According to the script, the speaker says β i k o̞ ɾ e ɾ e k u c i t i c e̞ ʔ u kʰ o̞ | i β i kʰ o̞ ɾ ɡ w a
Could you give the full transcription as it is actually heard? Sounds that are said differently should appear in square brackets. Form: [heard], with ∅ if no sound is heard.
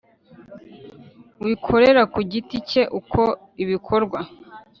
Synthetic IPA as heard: [w] i [kʰ] o̞ ɾ e ɾ [a] k u [ɟ] i t i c e̞ ʔ u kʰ o̞ | i β i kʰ o̞ ɾ ɡ w a